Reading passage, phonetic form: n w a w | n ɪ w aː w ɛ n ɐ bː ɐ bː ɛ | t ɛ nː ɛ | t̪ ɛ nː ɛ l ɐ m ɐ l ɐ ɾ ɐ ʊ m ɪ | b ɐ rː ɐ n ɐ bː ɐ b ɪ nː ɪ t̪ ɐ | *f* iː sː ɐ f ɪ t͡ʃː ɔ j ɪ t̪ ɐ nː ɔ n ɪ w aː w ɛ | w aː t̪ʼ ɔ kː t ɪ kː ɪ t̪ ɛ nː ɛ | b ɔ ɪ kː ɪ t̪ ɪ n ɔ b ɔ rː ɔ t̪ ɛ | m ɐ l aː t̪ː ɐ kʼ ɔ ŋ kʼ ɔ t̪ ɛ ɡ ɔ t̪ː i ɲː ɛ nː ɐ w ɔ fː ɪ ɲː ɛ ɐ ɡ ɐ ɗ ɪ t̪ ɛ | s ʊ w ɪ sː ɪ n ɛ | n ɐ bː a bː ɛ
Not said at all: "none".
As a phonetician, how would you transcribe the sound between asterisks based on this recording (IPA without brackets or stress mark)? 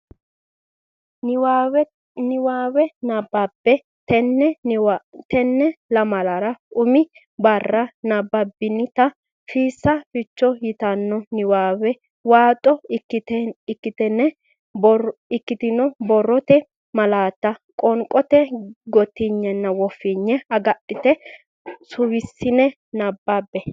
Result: f